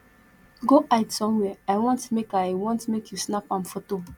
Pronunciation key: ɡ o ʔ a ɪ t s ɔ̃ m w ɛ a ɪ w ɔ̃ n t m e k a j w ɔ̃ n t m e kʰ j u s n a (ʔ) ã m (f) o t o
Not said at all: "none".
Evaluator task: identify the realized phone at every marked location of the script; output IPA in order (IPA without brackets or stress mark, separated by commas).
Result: p, f